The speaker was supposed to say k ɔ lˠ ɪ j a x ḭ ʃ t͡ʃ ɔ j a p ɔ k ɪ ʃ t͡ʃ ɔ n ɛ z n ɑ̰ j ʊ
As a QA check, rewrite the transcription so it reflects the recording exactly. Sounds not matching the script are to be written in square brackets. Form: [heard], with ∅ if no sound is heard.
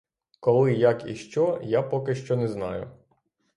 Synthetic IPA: k ɔ lˠ ɪ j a [k] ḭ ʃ t͡ʃ ɔ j a p ɔ k ɪ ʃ t͡ʃ ɔ n ɛ z n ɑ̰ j ʊ